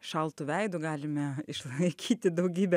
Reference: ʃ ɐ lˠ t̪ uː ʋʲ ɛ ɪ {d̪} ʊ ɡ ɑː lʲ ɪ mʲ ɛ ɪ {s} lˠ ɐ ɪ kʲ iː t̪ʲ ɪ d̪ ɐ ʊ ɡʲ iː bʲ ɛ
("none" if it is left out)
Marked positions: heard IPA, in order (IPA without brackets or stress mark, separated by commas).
d̪, ʃ